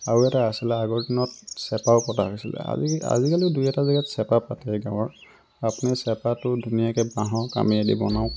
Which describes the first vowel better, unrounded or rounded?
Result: unrounded